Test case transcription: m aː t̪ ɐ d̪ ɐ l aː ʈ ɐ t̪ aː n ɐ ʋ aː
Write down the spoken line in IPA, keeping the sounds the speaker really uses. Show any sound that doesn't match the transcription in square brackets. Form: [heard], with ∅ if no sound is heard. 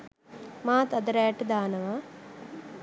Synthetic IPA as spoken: m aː t̪ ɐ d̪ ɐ [ɾ] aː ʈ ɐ [d̪] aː n ɐ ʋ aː